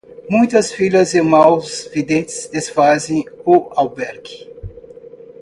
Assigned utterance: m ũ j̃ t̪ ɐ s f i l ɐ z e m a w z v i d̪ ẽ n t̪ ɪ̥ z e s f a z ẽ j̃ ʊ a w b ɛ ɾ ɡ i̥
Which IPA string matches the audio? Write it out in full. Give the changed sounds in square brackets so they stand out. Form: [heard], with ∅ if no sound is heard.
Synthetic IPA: m ũ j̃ t̪ ɐ s f i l ɐ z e m a w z v i d̪ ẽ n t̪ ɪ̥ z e s f a z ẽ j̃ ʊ a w b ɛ ɾ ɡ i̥